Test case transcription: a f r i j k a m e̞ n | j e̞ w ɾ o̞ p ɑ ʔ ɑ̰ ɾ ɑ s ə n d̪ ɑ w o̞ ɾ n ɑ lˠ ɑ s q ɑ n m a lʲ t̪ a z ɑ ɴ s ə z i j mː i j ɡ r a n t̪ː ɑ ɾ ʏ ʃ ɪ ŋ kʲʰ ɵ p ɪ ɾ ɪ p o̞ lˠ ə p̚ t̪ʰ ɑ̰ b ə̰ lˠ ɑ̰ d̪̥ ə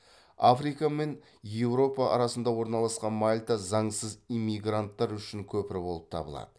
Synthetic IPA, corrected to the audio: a f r i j k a m e̞ n | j e̞ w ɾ o̞ p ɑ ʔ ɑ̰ ɾ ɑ s ə n d̪ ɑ w o̞ ɾ n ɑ lˠ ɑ s q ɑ n m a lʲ t̪ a z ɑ ɴ s ə z i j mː i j ɡ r a n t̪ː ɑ ɾ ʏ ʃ ɪ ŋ kʲʰ ɵ p ɪ ɾ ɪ b o̞ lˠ ə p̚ t̪ʰ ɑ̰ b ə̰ lˠ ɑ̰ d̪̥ ə